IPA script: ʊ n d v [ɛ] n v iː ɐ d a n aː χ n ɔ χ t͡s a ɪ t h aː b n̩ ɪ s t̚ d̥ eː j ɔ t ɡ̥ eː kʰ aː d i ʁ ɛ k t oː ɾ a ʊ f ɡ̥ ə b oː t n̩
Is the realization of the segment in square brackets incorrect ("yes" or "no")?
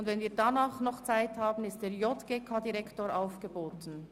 no